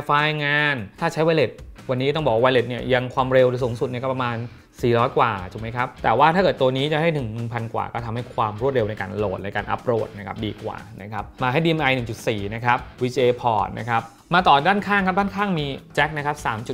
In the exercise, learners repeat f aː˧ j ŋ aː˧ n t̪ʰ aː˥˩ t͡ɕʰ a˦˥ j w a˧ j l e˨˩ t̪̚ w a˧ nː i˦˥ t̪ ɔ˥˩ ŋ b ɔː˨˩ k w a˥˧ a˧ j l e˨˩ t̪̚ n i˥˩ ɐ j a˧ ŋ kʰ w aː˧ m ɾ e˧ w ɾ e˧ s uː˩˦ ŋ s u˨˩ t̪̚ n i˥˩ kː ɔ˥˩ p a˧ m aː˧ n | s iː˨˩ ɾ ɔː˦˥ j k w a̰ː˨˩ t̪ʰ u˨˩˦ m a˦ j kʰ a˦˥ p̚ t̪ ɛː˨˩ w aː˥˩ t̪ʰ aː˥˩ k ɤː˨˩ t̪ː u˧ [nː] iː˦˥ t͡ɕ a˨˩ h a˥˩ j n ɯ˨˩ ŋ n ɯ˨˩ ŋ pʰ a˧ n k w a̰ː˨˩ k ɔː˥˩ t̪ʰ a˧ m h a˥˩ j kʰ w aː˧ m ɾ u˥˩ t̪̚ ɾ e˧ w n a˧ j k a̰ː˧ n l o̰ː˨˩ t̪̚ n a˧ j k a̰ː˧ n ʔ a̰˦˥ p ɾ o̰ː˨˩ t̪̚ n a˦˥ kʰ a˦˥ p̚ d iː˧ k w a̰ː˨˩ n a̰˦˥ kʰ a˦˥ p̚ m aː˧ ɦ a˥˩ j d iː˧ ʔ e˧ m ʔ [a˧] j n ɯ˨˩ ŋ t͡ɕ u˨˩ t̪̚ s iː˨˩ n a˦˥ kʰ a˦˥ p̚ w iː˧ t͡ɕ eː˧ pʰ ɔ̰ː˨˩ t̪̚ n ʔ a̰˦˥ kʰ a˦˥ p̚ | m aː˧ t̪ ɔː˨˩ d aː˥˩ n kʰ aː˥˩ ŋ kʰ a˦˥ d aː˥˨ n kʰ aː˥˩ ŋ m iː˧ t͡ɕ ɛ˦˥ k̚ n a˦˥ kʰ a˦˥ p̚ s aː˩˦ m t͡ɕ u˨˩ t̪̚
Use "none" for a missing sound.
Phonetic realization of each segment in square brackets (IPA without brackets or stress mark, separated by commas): n, a˧